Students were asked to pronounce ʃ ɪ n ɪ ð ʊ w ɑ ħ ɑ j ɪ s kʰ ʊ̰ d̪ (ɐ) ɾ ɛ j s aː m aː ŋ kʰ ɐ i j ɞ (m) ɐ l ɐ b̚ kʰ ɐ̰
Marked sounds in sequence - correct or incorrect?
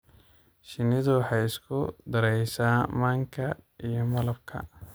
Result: correct, correct

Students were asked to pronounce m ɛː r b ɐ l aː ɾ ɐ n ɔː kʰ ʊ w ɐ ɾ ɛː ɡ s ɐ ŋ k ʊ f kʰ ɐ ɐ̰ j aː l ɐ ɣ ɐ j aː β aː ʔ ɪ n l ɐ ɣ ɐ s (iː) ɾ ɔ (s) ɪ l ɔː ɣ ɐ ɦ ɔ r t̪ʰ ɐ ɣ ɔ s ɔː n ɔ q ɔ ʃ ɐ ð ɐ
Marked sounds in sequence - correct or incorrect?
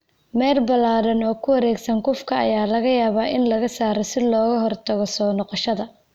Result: incorrect: aː, correct

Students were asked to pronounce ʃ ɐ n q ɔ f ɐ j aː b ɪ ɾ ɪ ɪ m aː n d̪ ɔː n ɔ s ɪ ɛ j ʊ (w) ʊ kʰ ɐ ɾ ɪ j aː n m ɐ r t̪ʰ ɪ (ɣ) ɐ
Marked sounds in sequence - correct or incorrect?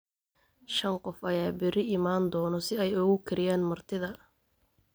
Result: incorrect: ɣ, incorrect: ð

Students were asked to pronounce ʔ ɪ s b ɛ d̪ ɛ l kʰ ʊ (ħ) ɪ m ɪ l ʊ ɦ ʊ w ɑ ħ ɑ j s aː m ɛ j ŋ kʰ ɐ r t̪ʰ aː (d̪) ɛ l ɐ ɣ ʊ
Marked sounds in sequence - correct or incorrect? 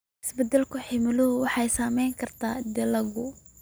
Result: correct, correct

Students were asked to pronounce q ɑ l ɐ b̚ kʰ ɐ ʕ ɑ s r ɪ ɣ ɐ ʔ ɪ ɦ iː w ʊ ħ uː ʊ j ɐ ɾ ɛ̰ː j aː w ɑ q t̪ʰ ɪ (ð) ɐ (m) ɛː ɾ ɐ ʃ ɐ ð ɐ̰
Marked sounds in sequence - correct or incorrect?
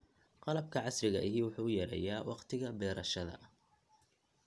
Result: incorrect: ɣ, incorrect: b

